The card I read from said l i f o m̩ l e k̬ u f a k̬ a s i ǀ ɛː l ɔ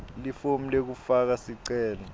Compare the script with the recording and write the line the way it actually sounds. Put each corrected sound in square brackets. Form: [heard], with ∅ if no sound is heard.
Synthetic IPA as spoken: l i f o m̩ l e k̬ u f a k̬ a s i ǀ ɛː l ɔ